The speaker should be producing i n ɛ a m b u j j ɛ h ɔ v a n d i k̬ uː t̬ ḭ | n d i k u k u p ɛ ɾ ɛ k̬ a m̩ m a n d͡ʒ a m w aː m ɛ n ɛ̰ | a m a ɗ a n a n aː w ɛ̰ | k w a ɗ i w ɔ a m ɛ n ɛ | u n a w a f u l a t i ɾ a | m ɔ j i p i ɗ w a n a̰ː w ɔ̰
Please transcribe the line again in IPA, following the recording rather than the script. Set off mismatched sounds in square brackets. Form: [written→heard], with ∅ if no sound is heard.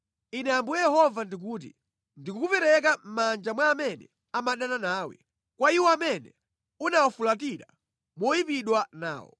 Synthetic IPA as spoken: i n ɛ a m b u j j ɛ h ɔ v a n d i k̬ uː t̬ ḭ | n d i k u k u p ɛ ɾ ɛ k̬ a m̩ m a n d͡ʒ a m w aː m ɛ n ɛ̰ | a m a ɗ a n a n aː w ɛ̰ | k w a [ɗ→∅] i w ɔ a m ɛ n ɛ | u n a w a f u l a t i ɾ a | m ɔ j i p i ɗ w a n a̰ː w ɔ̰